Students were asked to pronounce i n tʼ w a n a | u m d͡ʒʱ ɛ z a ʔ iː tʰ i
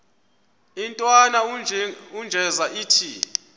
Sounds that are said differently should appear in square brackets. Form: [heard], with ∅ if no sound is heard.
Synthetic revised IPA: i n tʼ w a n a | u [n] d͡ʒʱ ɛ z a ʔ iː tʰ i